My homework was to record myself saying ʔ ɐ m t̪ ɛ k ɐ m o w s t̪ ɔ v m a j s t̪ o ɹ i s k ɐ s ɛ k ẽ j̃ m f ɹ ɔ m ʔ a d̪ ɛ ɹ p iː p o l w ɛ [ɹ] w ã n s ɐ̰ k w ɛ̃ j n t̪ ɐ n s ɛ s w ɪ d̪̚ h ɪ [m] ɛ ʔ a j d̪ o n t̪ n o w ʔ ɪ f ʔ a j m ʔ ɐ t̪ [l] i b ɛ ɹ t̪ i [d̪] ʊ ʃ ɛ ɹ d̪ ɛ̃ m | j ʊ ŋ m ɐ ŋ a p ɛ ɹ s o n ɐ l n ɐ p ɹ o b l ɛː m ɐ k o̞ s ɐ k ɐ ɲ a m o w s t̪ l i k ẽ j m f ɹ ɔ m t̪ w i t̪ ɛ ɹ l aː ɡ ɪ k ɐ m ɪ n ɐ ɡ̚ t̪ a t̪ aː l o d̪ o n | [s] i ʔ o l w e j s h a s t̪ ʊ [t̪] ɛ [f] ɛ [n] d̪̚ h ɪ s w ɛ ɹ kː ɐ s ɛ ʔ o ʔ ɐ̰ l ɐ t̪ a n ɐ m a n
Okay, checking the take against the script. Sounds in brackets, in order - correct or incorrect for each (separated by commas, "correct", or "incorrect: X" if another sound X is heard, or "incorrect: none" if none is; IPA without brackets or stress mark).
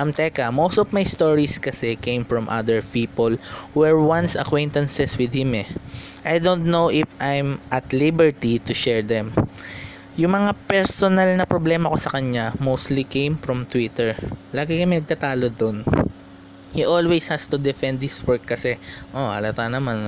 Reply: correct, correct, correct, incorrect: t̪, incorrect: h, incorrect: d̪, correct, correct